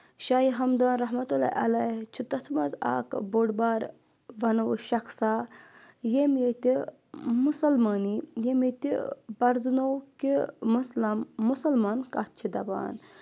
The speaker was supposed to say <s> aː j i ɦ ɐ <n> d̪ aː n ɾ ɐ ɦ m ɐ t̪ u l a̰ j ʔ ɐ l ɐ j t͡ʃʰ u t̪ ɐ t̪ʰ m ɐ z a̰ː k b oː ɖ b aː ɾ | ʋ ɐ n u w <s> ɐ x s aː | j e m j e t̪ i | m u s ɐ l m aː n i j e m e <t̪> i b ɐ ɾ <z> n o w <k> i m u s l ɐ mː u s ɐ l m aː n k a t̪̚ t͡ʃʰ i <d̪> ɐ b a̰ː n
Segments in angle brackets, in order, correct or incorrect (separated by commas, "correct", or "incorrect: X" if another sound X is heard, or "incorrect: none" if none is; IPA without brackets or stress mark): incorrect: ʃ, incorrect: m, incorrect: ʃ, correct, correct, correct, correct